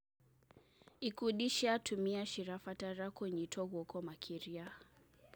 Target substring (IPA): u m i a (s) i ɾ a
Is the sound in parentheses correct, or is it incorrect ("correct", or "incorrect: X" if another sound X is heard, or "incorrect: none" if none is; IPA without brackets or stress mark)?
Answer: incorrect: ʃ